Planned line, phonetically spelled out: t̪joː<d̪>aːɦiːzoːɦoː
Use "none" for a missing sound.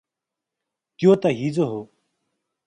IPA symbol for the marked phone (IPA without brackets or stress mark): t̪